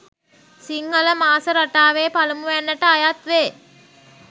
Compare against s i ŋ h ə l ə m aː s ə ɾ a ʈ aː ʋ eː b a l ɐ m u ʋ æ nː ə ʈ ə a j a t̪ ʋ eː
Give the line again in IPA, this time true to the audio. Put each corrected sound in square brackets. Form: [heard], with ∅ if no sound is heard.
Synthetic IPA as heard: s i ŋ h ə l ə m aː s ə ɾ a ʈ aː ʋ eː [p] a l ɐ m u ʋ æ nː ə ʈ ə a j a t̪ ʋ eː